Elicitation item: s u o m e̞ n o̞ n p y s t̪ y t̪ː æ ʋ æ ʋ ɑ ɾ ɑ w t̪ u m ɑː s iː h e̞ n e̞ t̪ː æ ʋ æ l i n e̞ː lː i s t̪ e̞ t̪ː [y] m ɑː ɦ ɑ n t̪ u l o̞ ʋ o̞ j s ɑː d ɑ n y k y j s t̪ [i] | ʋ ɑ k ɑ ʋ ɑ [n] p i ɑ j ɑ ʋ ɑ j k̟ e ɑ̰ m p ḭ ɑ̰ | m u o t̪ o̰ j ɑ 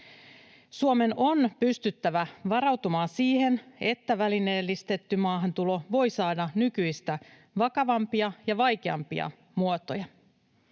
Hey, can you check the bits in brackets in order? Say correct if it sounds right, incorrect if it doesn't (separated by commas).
correct, incorrect, incorrect